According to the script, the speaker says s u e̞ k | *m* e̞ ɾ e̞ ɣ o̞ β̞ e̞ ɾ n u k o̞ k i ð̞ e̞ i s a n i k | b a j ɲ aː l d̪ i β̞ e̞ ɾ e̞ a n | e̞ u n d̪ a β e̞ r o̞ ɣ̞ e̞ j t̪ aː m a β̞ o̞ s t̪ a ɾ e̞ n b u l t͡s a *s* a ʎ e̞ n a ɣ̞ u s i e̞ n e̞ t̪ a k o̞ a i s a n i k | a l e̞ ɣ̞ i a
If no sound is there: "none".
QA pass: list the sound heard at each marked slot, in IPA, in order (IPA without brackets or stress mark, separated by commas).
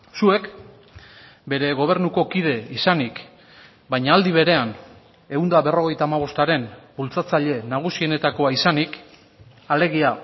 b, t͡s